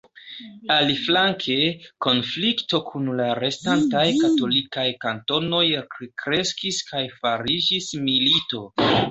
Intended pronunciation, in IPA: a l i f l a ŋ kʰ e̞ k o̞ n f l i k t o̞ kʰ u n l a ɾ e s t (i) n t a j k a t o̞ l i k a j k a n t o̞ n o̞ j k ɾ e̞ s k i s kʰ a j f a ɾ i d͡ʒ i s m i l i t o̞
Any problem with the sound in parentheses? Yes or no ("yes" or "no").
yes